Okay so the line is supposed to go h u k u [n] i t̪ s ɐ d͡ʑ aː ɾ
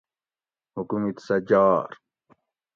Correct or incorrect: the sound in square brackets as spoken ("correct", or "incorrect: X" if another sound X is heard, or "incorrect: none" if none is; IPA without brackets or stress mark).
incorrect: m